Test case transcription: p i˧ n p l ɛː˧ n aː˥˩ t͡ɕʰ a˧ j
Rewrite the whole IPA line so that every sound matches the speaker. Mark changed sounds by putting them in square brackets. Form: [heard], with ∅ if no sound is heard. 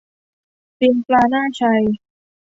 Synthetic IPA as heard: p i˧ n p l [aː˧] n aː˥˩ t͡ɕʰ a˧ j